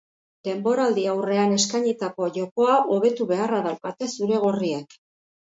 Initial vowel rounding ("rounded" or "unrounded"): unrounded